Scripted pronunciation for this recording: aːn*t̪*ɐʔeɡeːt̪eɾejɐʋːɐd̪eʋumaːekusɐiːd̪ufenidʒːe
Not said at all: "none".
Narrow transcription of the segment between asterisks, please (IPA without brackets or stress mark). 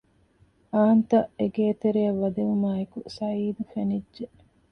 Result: t̪